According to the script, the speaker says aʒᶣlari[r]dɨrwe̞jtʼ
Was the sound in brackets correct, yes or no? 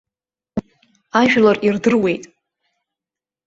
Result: yes